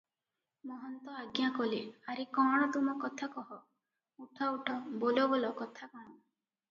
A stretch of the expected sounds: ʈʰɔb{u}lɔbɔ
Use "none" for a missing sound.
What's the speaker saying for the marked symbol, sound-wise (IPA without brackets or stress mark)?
o